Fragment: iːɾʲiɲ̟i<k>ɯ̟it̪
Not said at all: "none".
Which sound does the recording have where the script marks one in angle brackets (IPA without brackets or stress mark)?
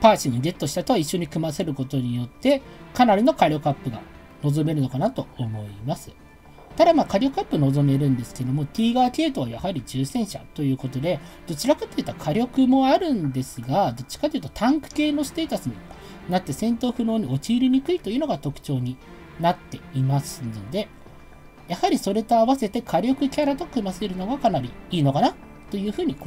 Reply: k